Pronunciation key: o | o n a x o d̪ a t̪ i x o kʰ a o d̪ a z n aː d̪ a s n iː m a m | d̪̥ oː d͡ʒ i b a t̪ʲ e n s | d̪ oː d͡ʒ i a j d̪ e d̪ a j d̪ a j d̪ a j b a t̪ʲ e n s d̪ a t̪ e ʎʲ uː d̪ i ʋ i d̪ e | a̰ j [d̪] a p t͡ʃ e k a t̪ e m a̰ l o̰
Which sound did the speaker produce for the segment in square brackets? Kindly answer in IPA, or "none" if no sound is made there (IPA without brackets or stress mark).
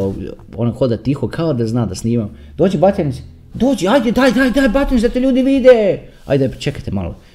d̪